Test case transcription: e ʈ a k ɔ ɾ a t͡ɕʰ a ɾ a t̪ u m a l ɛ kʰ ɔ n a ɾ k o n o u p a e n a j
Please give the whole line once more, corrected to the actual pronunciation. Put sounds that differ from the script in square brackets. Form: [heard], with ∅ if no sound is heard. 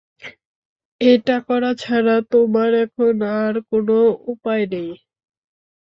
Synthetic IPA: e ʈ a k ɔ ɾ a t͡ɕʰ a ɾ a t̪ [o] m a [ɾ] ɛ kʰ [o] n a ɾ k o n o u p a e n [e] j